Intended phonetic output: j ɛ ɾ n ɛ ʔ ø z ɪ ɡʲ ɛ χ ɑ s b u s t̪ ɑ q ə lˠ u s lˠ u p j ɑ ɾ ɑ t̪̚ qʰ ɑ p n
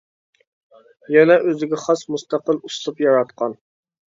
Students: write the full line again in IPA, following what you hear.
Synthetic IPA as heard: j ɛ n ɛ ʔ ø z ɪ ɡʲ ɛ χ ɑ s m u s t̪ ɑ q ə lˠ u s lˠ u p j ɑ ɾ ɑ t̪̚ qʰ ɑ n